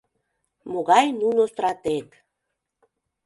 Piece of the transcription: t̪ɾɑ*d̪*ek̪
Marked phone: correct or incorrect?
incorrect